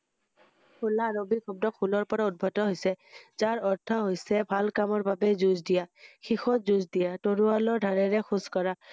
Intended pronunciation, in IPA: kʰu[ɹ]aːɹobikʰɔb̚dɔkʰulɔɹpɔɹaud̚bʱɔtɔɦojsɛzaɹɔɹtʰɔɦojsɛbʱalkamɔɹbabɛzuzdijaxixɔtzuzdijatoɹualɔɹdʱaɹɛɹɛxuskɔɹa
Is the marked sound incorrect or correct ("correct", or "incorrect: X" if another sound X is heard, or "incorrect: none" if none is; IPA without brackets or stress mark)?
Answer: incorrect: l